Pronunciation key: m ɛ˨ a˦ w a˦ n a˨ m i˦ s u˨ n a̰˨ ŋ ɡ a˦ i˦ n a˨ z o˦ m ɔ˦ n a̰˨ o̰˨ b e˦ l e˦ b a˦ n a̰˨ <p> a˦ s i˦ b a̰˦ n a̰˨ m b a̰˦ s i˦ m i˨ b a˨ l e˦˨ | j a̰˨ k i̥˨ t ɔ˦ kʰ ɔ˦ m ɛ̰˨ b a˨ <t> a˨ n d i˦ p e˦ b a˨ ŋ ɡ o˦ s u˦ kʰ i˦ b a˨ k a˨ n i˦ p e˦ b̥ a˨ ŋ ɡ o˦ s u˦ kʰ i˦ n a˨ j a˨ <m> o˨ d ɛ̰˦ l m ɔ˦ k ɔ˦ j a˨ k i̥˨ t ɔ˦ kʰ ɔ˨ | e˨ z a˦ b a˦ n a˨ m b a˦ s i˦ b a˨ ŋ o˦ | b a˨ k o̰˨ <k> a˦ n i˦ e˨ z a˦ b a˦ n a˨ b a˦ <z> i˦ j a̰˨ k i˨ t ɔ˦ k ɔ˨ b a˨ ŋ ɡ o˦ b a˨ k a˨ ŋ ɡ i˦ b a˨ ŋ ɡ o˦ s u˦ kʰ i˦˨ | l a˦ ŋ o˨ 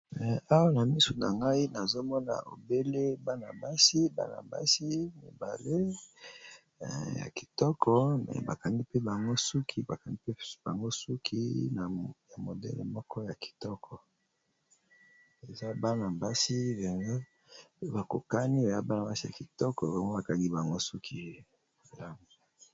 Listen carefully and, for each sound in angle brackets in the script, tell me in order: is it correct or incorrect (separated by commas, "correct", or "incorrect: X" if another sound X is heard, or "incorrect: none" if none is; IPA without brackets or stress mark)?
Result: incorrect: b, incorrect: k, correct, correct, incorrect: s